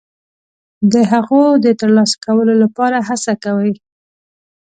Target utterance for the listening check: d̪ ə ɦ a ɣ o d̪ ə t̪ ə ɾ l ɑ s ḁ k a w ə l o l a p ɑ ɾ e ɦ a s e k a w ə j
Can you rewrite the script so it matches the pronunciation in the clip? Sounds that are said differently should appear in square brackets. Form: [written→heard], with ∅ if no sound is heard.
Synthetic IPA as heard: d̪ ə ɦ a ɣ o d̪ ə t̪ ə ɾ l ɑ s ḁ k a w ə l o l a p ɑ ɾ [e→a] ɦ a s [e→a] k a w ə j

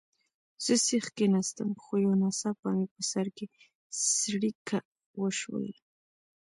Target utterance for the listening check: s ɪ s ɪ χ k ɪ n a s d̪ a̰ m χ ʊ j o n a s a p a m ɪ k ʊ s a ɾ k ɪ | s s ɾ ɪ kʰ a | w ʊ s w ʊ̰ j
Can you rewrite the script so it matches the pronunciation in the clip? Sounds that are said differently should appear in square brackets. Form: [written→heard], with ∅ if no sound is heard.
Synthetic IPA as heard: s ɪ s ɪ χ k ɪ n a s [d̪→t̪] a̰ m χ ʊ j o n a s a p a m ɪ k ʊ s a ɾ k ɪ | s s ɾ ɪ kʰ a | w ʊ [s→ʃ] w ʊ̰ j

